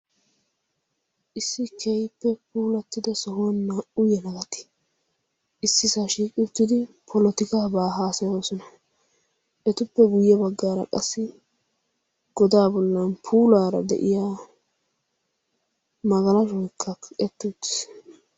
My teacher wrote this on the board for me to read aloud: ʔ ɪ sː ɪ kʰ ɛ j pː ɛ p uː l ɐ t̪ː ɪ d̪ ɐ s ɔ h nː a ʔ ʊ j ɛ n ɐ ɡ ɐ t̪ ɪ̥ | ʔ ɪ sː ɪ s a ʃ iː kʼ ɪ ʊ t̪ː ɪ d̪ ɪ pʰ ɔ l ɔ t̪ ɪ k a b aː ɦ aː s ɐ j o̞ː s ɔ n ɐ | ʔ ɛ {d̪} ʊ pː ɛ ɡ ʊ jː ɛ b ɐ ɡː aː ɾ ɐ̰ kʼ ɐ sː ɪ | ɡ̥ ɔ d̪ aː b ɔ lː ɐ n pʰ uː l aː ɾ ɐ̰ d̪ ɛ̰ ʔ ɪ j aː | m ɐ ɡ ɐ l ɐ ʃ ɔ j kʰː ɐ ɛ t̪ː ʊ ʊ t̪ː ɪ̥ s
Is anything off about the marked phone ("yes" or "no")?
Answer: yes